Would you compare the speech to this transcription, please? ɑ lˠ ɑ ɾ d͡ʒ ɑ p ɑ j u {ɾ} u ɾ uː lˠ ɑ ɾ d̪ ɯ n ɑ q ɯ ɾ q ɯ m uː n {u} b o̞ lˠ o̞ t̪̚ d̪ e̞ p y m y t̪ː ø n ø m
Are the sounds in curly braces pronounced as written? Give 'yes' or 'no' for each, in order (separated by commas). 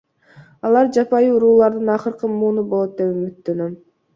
no, yes